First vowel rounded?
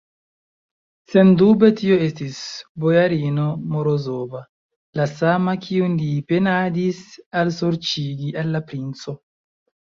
no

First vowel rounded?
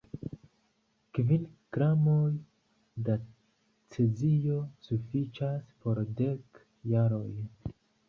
no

